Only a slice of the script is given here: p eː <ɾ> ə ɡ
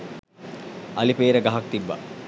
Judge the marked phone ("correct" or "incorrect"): correct